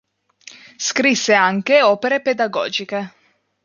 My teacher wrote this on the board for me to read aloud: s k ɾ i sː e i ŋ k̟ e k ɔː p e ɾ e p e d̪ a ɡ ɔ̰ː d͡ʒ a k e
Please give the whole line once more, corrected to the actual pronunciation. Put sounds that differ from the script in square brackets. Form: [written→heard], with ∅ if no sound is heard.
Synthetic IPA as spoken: s k ɾ i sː e [i→a] ŋ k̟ e [k→∅] ɔː p e ɾ e p e d̪ a ɡ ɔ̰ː d͡ʒ [a→i] k e